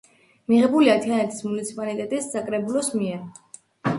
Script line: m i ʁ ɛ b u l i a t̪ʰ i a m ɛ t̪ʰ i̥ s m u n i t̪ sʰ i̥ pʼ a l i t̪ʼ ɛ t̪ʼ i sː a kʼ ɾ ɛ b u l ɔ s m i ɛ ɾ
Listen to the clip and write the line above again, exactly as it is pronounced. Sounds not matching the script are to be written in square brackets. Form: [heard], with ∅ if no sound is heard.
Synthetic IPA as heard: m i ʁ ɛ b u l i a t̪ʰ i a [n] ɛ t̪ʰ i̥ s m u n i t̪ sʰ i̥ pʼ a l i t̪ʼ ɛ t̪ʼ i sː a kʼ ɾ ɛ b u l ɔ s m i ɛ ɾ